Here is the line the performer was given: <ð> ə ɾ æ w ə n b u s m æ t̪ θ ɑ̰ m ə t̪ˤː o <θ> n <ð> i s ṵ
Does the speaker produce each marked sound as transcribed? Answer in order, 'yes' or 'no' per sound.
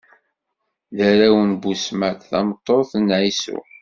yes, yes, no

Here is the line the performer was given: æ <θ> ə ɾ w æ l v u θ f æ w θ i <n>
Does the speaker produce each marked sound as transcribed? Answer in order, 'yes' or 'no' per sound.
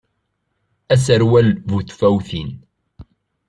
no, yes

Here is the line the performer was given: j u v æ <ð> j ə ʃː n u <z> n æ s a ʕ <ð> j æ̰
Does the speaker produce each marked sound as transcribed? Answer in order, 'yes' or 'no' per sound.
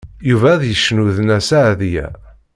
yes, no, yes

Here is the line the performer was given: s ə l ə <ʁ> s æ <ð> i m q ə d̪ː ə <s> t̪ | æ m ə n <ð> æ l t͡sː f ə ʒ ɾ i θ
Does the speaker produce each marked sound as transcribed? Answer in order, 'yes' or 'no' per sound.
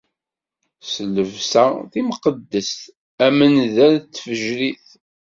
no, no, yes, yes

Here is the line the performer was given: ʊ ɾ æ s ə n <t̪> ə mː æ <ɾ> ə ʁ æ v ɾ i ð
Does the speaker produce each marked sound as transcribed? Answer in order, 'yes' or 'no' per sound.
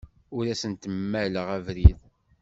yes, no

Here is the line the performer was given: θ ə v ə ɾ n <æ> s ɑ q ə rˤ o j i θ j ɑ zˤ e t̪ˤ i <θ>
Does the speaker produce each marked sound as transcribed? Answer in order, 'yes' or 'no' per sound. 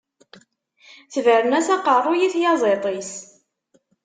yes, no

